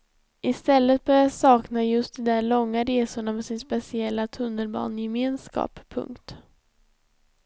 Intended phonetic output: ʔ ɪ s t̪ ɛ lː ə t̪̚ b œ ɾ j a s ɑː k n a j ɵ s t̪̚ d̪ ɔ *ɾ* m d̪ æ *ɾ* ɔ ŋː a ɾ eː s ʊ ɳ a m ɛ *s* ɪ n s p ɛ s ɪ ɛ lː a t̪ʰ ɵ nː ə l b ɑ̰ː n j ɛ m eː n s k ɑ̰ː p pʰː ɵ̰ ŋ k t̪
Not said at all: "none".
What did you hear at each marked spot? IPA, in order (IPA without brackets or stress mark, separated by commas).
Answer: none, ɭ, s